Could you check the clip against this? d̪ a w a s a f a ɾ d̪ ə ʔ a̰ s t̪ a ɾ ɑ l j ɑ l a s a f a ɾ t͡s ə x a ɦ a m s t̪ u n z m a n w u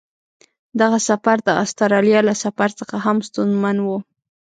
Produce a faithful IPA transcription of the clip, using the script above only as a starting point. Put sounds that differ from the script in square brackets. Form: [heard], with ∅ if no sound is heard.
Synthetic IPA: d̪ a [ɣ] a s a f a ɾ d̪ ə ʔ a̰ s t̪ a ɾ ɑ l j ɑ l a s a f a ɾ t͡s ə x a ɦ a m s t̪ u n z m a n w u